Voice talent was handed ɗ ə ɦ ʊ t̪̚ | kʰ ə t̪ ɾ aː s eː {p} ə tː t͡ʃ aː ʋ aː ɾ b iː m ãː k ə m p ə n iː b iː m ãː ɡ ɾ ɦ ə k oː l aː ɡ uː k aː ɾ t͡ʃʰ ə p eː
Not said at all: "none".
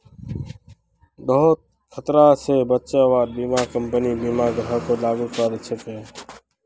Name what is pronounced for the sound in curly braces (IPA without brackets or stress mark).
b